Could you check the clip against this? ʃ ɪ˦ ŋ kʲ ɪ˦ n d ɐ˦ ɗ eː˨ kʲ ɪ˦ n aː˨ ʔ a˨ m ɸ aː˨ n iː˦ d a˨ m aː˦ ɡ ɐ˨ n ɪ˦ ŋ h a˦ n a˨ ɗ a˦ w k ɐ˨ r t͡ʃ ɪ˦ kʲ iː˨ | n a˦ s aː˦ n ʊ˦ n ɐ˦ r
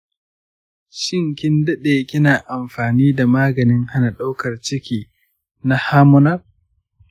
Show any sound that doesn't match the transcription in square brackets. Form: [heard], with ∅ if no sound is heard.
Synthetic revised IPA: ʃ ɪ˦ ŋ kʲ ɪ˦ n d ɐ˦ ɗ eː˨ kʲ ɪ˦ n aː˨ ʔ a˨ m ɸ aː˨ n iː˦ d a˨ m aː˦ ɡ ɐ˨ n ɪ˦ ŋ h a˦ n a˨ ɗ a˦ w k ɐ˨ r t͡ʃ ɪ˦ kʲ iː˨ | n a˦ [h] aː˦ [m] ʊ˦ n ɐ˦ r